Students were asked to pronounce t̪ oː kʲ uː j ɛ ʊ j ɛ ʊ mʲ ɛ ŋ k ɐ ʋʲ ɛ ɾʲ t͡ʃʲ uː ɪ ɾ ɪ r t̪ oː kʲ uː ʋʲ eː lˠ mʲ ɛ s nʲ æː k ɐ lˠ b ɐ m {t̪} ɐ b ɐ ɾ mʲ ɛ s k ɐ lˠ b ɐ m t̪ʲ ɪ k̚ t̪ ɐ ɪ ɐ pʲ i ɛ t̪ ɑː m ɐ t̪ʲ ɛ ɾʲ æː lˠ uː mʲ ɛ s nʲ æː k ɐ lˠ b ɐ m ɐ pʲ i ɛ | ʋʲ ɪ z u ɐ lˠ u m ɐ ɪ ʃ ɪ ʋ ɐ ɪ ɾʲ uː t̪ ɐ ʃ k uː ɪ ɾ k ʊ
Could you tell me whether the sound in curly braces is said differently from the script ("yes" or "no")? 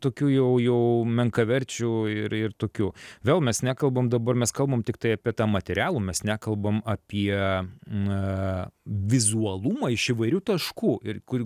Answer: yes